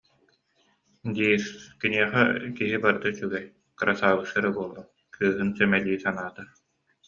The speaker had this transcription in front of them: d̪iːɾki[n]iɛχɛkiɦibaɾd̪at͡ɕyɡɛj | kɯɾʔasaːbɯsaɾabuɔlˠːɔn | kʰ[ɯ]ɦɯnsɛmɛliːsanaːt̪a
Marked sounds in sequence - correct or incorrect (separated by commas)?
correct, incorrect